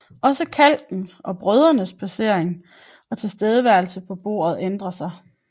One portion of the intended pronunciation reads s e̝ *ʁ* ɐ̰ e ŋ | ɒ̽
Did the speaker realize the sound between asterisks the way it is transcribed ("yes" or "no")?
no